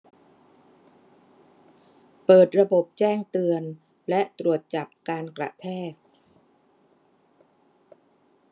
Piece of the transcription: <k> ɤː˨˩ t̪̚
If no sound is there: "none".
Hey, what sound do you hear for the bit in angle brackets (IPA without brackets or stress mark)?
p